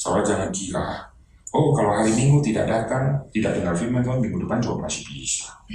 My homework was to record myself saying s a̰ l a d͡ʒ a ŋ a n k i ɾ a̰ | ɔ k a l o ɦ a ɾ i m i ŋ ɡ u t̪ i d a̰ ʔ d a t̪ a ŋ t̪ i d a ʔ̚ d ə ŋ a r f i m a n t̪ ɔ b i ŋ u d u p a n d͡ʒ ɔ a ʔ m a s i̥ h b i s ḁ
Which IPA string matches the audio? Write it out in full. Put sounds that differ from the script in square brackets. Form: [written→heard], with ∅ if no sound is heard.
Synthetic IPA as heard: s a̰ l a d͡ʒ a ŋ a n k i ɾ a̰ | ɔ k a l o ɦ a ɾ i m i ŋ ɡ u t̪ i d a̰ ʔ d a t̪ a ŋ t̪ i d a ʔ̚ d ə ŋ a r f i m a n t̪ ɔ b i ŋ u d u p a n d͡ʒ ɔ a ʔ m a s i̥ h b i s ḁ